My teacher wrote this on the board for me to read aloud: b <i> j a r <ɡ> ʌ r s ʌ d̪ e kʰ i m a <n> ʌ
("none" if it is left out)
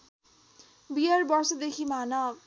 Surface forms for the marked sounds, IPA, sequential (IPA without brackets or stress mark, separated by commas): i, b, n